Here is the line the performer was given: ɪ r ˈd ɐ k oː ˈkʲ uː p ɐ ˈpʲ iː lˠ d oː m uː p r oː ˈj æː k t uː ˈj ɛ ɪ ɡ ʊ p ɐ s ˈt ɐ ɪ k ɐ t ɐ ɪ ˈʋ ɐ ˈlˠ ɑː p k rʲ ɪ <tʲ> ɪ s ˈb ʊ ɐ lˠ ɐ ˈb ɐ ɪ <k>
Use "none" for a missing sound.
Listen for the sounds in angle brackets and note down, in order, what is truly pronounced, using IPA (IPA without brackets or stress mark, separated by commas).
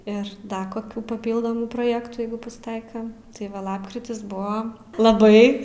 tʲ, none